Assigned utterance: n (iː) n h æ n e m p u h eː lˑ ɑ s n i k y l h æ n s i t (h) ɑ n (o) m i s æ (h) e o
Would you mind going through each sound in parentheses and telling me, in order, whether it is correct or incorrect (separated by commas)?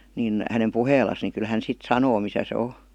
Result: incorrect, incorrect, incorrect, incorrect